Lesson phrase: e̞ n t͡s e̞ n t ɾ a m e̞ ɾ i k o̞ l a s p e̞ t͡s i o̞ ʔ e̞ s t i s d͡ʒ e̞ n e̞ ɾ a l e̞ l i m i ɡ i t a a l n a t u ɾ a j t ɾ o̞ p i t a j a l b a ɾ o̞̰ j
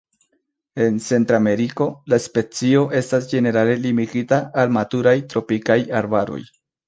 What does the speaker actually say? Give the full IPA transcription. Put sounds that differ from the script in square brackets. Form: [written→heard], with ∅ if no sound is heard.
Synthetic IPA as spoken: e̞ n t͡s e̞ n t ɾ a m e̞ ɾ i k o̞ l a s p e̞ t͡s i o̞ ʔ e̞ s t [i→a] s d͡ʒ e̞ n e̞ ɾ a l e̞ l i m i ɡ i t a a l [n→m] a t u ɾ a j t ɾ o̞ p i [t→k] a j a [l→ɾ] b a ɾ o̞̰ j